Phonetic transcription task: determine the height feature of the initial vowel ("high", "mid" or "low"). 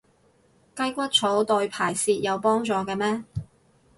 low